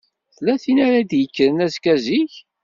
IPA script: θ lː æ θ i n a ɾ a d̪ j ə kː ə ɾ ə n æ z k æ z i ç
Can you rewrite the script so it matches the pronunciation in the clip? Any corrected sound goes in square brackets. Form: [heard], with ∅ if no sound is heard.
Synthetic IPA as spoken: θ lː æ θ i n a ɾ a d̪ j ə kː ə ɾ ə n æ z k æ z i ç